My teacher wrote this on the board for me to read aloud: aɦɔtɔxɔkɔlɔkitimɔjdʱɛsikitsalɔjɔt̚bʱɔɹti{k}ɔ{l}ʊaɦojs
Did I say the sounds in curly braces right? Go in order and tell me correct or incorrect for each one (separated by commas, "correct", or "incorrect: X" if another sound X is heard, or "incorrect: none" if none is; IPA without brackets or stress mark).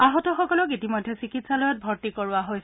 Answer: correct, incorrect: ɹ